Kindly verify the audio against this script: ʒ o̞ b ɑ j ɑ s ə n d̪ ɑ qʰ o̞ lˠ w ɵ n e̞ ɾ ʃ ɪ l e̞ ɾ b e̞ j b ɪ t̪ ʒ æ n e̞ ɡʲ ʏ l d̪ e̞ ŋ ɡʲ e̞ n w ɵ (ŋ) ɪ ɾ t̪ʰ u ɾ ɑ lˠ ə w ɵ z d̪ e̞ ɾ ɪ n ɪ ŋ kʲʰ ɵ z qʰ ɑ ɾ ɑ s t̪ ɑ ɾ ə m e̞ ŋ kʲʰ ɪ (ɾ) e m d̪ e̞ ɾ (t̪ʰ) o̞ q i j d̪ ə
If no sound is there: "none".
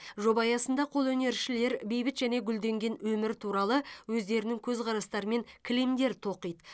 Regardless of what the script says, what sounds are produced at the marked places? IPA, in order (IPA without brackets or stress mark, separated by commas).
m, l, t̪ʰ